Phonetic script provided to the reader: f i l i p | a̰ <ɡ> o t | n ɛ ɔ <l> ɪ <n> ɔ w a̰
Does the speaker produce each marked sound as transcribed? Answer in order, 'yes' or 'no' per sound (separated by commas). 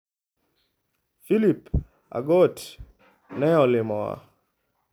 yes, yes, no